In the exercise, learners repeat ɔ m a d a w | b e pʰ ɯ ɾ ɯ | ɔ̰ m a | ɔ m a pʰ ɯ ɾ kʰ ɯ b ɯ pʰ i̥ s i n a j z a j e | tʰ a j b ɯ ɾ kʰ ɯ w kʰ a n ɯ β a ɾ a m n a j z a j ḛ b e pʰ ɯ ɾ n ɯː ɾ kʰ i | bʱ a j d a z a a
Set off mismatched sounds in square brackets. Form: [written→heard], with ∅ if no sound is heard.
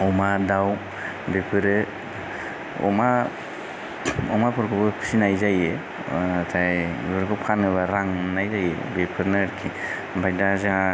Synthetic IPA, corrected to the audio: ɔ m a d a w | b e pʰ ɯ ɾ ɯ | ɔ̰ m a | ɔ m a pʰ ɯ ɾ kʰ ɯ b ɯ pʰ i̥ s i n a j z a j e | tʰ a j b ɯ ɾ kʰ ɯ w [kʰ→pʰ] a n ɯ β a ɾ a [m→ŋ] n a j z a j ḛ b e pʰ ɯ ɾ n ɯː ɾ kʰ i | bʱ a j d a z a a